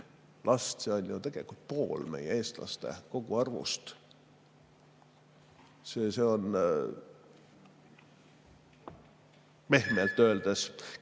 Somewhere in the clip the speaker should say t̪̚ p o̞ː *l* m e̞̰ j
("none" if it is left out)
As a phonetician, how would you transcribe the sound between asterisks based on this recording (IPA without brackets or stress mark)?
l